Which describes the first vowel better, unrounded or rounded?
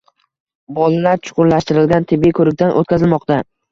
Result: rounded